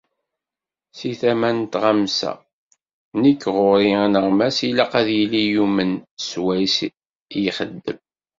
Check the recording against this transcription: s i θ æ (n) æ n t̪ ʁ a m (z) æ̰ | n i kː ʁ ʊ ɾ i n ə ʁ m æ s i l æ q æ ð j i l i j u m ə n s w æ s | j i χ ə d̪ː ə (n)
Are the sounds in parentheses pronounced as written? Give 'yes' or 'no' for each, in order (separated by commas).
no, no, no